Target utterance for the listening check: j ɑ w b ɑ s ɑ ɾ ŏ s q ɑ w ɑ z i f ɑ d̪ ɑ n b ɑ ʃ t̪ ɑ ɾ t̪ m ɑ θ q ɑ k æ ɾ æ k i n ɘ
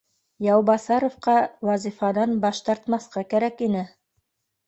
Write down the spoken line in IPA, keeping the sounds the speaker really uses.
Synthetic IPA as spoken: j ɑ w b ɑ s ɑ ɾ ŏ f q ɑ w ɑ z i f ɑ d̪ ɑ n b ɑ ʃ t̪ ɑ ɾ t̪ m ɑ θ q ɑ k æ ɾ æ k i n ɘ